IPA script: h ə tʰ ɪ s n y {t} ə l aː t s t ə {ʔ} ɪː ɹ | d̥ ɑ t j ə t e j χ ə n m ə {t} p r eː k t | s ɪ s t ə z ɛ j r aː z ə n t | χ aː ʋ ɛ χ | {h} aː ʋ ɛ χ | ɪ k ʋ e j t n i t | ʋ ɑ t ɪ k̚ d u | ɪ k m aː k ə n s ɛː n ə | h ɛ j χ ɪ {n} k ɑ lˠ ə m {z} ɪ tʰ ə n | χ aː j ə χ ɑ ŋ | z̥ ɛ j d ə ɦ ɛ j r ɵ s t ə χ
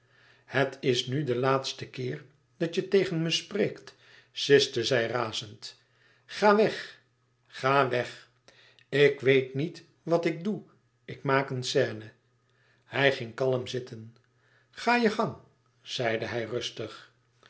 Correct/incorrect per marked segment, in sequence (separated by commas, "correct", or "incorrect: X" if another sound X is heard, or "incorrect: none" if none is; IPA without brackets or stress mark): incorrect: d, incorrect: k, incorrect: s, incorrect: χ, incorrect: ŋ, correct